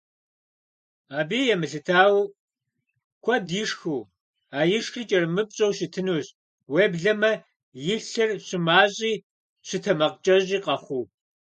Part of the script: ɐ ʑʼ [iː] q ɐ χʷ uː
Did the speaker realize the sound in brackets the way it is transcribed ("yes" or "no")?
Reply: yes